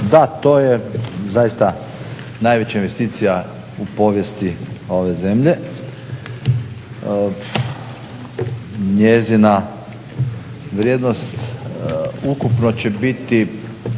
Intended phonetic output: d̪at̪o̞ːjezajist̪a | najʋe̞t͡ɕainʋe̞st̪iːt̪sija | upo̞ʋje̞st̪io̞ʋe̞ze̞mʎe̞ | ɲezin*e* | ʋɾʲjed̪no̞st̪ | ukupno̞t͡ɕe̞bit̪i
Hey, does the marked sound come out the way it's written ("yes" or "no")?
no